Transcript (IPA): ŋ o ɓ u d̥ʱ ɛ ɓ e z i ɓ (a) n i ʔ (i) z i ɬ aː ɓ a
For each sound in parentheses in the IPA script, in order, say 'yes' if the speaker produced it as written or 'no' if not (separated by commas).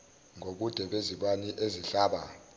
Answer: yes, no